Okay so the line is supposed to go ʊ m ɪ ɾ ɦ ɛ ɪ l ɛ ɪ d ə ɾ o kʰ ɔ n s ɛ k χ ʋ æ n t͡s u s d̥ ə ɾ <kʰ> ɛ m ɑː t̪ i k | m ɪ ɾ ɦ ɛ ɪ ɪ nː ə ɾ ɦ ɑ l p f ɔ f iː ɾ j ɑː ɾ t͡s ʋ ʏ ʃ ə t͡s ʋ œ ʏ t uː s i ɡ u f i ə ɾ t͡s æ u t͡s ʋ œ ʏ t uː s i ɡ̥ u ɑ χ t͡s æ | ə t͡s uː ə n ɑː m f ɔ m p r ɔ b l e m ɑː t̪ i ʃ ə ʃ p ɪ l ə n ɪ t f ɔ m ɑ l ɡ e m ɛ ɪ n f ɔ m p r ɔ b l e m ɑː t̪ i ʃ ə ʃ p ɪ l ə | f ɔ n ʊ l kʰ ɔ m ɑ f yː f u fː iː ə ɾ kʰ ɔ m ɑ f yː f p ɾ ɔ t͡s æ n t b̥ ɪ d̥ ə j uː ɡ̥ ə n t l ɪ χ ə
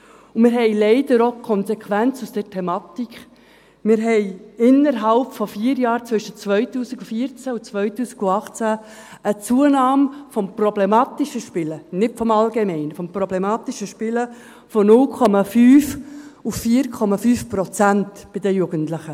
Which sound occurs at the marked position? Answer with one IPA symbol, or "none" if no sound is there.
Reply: tʰ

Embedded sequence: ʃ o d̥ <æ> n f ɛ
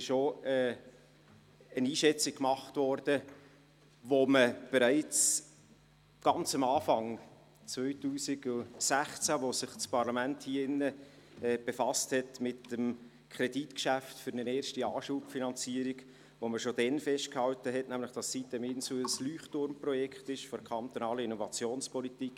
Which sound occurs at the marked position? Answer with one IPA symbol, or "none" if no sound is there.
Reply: ɛ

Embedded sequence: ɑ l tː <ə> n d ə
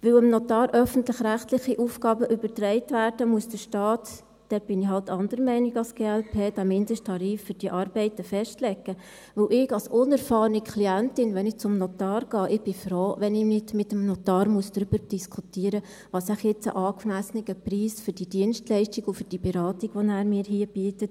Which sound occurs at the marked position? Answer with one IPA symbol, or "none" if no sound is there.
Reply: ɑ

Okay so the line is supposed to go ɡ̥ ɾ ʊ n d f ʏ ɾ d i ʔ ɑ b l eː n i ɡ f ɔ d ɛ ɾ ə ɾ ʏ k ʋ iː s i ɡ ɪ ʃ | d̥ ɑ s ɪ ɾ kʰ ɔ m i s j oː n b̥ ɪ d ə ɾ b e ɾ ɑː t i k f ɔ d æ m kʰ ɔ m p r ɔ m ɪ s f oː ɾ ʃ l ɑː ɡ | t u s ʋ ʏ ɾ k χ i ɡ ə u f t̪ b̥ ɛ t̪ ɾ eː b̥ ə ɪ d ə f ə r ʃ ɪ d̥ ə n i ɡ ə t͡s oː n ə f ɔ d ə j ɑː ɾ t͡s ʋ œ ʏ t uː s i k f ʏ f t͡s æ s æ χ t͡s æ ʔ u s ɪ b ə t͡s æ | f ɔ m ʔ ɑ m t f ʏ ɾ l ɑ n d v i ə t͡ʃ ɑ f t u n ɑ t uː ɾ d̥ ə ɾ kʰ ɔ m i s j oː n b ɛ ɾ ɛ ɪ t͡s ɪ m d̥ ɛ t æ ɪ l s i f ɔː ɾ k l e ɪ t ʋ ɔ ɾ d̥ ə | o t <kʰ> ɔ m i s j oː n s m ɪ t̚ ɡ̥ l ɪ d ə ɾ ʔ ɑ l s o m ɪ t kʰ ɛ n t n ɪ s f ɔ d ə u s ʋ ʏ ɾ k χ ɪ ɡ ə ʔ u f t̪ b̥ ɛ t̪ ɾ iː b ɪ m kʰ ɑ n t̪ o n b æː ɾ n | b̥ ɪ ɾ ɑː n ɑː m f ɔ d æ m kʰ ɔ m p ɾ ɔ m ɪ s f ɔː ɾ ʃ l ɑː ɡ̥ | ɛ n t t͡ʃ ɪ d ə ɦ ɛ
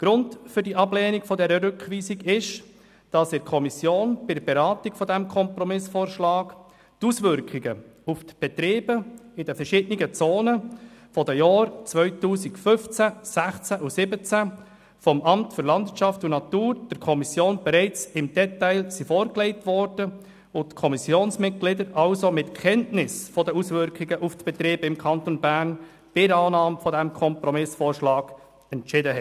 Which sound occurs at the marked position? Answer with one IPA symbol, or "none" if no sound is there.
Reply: kʰ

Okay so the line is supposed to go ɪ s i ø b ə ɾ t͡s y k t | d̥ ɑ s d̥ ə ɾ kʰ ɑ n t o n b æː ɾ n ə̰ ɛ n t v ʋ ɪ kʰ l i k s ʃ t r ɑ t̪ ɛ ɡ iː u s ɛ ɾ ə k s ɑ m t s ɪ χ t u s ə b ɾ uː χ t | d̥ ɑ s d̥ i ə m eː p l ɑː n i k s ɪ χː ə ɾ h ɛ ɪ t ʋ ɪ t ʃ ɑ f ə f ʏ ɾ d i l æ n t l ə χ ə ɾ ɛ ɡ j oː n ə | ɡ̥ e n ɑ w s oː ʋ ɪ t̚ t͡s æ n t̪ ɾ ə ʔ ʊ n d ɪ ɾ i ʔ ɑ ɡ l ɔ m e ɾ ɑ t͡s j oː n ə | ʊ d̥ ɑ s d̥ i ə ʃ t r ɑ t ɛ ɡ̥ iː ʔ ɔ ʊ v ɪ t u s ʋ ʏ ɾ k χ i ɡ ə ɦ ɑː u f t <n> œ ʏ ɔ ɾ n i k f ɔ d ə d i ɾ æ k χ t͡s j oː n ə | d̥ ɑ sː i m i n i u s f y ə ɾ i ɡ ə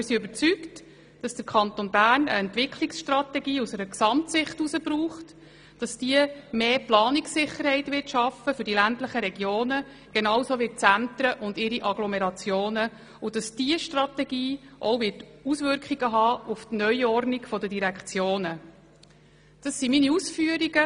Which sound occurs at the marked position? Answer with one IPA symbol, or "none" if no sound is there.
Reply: n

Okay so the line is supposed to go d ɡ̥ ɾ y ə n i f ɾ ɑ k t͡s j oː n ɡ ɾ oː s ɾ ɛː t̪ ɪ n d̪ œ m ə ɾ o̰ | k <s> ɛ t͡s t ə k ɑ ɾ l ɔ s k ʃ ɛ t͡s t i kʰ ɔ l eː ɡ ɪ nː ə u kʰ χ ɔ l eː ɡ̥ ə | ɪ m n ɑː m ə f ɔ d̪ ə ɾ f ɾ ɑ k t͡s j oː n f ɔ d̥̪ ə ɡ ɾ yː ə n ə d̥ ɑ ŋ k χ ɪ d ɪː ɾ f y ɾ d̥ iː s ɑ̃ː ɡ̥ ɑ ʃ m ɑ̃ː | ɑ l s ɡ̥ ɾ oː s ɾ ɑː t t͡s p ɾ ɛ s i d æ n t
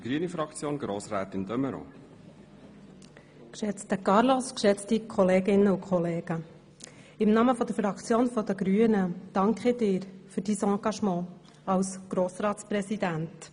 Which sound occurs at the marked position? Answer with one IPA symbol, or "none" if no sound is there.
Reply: ʃ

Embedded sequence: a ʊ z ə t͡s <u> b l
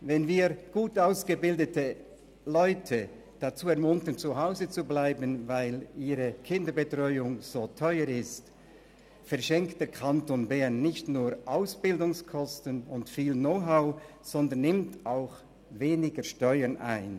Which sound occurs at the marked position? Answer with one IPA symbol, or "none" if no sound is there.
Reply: u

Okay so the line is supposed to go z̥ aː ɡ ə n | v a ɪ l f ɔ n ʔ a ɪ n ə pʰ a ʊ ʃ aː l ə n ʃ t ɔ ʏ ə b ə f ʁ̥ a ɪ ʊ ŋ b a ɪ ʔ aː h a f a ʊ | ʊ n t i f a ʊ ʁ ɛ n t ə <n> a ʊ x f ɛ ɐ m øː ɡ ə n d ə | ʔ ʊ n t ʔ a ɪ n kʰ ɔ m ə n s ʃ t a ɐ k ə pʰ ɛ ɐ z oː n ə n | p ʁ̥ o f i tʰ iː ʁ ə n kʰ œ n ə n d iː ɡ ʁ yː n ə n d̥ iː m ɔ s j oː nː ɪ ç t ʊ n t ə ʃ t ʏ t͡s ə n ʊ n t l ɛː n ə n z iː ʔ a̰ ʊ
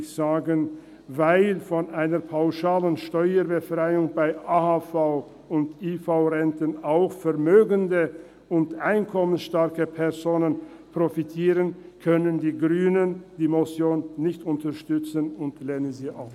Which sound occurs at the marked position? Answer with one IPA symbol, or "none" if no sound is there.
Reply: n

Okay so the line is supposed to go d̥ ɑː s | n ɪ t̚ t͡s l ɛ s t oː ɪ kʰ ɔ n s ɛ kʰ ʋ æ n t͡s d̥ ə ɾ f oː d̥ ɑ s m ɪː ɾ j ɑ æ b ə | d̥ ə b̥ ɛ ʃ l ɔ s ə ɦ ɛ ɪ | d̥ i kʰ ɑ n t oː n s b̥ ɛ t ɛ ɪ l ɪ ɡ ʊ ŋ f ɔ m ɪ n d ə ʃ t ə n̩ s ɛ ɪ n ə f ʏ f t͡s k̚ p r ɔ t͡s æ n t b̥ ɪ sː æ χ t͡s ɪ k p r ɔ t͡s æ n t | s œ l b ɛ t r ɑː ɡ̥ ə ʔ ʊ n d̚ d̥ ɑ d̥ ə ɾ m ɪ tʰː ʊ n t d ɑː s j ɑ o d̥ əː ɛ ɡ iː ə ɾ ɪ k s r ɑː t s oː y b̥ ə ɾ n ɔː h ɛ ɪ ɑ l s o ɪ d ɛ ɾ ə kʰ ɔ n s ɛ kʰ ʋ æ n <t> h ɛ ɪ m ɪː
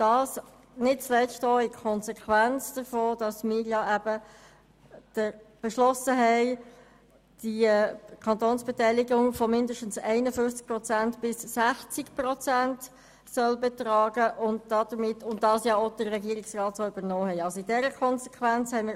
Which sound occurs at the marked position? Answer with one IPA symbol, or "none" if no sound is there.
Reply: t͡s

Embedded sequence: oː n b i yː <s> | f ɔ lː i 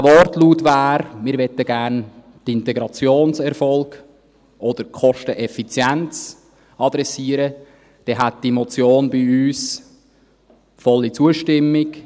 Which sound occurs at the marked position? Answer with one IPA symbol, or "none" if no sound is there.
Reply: s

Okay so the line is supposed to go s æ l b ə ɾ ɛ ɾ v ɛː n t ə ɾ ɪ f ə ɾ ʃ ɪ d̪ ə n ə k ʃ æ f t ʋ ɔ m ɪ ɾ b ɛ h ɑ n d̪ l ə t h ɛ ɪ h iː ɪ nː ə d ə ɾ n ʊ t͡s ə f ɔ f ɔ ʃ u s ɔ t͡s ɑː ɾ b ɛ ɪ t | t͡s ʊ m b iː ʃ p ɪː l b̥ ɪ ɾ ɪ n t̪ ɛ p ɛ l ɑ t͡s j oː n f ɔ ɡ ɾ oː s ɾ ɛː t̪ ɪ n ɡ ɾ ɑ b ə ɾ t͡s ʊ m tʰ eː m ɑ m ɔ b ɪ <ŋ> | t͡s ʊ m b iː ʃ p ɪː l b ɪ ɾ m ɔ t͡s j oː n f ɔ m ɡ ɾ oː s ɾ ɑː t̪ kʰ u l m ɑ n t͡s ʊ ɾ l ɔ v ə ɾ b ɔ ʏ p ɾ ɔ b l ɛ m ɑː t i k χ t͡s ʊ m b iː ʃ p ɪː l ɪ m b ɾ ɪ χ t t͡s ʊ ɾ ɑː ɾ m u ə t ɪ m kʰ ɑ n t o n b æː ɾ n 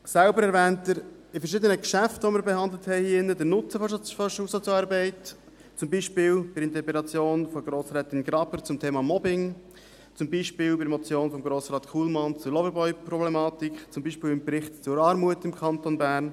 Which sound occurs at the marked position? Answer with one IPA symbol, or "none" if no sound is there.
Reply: ŋ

